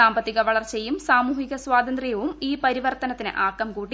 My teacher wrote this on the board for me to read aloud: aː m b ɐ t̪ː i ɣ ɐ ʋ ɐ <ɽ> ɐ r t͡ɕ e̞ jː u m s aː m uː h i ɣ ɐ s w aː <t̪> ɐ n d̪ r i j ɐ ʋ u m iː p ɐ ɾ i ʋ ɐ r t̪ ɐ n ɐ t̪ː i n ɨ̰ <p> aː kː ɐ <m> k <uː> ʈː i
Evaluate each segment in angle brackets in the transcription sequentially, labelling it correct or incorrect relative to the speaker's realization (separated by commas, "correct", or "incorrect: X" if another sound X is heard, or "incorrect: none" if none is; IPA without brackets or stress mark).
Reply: incorrect: ɭ, incorrect: d̪, incorrect: ʔ, correct, correct